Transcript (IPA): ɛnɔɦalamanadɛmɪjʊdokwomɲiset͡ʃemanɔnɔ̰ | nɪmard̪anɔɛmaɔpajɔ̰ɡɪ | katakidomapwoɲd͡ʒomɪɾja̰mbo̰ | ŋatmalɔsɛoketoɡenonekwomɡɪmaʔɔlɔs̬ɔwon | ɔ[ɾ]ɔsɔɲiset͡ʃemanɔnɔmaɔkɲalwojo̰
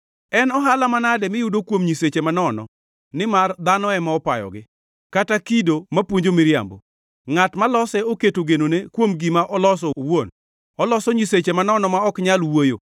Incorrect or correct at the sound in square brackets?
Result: incorrect: l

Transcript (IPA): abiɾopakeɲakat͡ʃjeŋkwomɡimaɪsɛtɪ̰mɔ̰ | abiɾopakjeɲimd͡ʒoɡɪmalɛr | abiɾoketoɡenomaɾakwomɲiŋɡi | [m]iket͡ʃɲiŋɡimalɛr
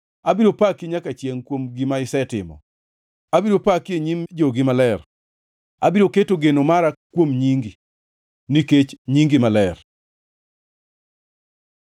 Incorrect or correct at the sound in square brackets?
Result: incorrect: n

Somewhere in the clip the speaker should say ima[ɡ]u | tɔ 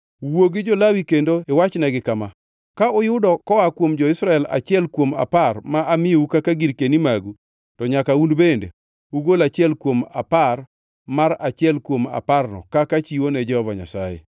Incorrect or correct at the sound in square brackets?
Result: correct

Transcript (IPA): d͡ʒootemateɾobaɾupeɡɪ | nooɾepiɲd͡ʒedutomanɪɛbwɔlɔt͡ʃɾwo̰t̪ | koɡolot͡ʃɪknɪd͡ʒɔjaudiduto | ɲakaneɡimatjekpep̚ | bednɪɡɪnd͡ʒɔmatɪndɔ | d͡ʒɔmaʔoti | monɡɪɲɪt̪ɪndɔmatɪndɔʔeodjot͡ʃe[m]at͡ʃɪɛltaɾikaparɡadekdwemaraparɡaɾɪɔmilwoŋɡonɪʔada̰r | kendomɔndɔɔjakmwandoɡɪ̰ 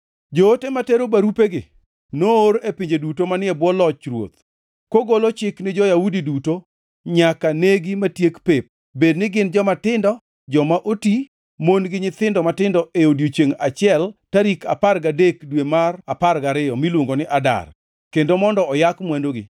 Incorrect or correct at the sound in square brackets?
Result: incorrect: ŋ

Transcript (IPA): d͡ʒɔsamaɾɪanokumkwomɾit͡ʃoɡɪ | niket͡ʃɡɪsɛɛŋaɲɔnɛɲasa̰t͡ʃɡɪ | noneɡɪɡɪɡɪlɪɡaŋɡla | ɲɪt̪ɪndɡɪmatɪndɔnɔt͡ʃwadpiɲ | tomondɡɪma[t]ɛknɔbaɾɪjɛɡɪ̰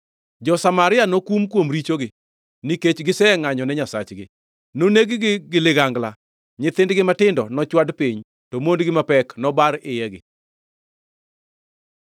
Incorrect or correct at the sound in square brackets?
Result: incorrect: p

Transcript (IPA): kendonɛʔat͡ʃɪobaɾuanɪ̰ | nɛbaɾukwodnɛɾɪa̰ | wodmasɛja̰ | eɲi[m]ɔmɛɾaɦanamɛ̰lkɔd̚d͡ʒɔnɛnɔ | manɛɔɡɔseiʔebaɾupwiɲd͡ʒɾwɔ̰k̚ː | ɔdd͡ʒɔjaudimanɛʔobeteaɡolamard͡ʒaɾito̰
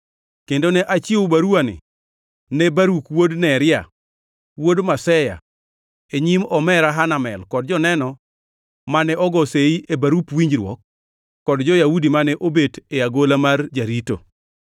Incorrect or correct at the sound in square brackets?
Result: correct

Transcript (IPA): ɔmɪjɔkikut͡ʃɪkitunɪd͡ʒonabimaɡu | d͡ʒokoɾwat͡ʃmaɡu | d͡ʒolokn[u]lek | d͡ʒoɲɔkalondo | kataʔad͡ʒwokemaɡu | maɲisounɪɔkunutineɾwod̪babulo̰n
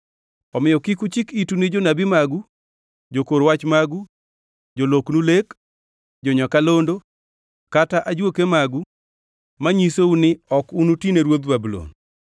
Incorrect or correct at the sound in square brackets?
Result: correct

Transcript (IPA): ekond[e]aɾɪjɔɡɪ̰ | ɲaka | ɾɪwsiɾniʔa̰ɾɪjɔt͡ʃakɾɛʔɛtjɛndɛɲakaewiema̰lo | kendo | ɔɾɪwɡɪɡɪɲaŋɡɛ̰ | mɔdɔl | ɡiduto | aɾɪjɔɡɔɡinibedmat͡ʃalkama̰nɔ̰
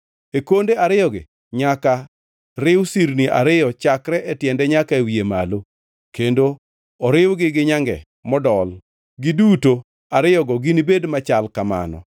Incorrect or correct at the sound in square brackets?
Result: correct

